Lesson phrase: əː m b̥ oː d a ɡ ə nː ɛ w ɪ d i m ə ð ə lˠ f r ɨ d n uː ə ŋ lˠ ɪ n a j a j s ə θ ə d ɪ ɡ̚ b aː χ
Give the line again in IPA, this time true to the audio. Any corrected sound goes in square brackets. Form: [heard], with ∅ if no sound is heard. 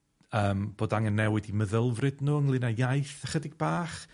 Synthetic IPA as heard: əː m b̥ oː d a [ŋ] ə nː ɛ w ɪ d i m ə ð ə lˠ [v] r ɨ d n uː ə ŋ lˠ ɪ n a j a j [θ] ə [χ] ə d ɪ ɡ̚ b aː χ